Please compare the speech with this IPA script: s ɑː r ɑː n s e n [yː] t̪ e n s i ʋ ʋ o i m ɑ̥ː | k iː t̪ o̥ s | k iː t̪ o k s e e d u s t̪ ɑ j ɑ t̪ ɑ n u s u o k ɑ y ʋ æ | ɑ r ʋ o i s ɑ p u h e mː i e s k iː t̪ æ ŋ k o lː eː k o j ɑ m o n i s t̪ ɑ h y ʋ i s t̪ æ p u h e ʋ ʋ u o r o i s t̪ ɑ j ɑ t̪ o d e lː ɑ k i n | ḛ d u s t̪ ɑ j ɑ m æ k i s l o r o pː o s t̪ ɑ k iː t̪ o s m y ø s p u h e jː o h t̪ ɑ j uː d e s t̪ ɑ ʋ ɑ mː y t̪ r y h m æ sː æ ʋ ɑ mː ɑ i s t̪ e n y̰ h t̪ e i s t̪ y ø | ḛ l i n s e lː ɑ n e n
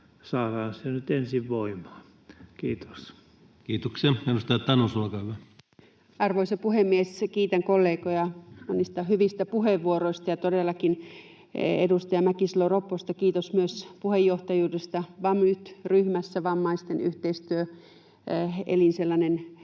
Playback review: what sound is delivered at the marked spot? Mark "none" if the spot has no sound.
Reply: y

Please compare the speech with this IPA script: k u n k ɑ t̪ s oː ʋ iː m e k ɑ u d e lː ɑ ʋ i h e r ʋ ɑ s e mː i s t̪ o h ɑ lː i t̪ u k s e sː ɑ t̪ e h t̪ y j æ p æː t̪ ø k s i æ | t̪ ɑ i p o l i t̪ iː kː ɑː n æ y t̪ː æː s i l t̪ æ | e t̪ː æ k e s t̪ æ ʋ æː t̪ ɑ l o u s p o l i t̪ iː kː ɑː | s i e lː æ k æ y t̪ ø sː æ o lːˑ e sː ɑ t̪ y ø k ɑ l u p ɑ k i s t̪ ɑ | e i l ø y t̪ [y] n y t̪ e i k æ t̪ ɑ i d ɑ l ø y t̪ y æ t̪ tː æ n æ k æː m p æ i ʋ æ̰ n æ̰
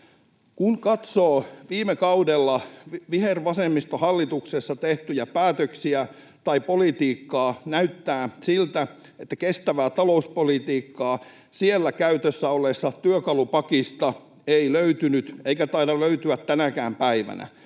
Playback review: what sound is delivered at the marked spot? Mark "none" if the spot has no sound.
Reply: y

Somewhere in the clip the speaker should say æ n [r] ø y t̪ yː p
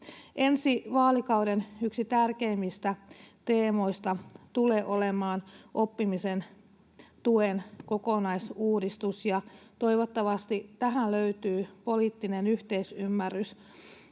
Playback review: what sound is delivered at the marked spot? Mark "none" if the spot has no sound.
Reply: l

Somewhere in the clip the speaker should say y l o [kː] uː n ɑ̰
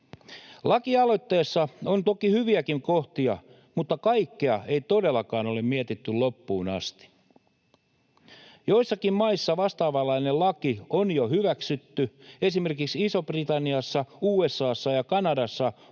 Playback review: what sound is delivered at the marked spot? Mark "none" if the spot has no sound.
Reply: pː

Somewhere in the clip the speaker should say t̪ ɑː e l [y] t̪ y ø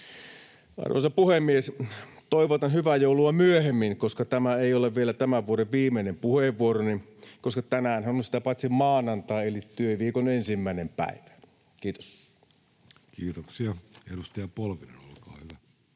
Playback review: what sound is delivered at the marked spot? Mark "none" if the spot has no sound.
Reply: i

